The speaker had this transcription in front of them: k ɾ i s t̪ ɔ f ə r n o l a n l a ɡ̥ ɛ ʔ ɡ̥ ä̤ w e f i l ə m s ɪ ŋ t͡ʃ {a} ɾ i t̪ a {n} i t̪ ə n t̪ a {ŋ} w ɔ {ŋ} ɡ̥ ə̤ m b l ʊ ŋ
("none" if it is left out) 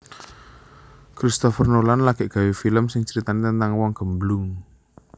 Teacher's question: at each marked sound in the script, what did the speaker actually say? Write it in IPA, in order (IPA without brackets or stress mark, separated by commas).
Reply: ə, n, ŋ, ŋ